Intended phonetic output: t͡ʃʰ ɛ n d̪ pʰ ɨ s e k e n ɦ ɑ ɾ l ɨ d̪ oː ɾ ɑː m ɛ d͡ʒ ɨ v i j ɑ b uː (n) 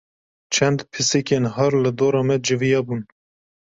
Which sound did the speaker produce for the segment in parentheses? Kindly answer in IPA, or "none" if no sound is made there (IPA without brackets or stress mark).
n